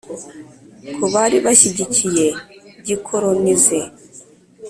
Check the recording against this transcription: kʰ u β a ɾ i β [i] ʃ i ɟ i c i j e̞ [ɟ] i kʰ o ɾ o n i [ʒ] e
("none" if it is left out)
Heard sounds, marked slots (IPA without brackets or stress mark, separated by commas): a, ɟ, z